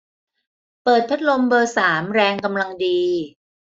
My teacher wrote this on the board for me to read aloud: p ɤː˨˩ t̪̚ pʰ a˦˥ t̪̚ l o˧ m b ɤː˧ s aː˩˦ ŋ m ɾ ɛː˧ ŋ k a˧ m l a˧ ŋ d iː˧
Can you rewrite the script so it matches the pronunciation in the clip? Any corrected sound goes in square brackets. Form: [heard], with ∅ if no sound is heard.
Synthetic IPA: p ɤː˨˩ t̪̚ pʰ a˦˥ t̪̚ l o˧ m b ɤː˧ s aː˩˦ [∅] m ɾ ɛː˧ ŋ k a˧ m l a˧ ŋ d iː˧